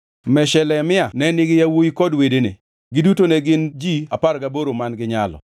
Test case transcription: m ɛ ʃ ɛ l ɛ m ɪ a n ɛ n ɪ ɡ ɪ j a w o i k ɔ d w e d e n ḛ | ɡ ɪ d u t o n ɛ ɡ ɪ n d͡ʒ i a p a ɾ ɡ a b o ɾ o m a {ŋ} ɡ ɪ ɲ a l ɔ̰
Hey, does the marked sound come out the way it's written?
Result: no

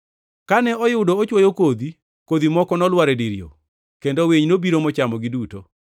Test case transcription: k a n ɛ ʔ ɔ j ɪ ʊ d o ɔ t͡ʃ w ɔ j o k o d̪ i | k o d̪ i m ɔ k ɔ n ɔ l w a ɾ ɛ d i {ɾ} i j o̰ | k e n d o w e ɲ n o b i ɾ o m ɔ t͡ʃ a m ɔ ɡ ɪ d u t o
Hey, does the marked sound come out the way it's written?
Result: yes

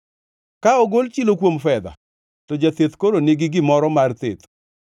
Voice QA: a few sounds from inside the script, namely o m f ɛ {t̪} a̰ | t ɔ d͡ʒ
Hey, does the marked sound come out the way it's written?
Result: no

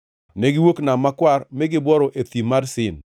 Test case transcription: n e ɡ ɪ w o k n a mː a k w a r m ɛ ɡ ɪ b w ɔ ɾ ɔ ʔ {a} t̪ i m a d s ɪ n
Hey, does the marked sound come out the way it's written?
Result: no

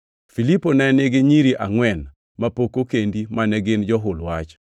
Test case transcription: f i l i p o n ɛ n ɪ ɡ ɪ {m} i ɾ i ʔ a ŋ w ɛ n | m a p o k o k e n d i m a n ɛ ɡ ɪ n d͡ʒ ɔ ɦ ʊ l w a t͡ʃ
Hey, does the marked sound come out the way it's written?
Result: no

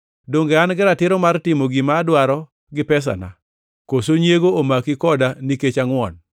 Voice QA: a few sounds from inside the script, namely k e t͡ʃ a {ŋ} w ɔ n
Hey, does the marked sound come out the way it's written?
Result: yes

